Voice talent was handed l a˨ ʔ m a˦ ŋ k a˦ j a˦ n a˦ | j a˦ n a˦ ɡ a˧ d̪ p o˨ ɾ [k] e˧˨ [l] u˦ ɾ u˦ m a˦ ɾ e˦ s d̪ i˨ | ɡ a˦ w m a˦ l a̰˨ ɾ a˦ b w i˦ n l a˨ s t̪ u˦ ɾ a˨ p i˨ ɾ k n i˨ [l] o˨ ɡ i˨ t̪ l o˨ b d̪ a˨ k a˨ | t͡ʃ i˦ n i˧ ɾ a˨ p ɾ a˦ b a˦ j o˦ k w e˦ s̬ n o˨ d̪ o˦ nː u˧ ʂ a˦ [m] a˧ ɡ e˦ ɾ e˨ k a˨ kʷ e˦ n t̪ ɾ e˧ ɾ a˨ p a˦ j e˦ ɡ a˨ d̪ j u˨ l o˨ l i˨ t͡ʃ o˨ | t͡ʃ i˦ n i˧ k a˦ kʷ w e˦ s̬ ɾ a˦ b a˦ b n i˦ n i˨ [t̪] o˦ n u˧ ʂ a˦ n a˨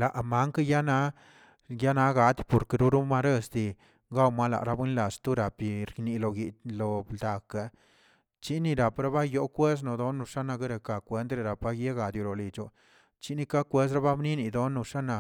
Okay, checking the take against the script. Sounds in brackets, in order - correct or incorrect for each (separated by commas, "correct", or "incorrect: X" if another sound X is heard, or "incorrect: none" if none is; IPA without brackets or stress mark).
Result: correct, incorrect: ɾ, correct, incorrect: n, incorrect: d̪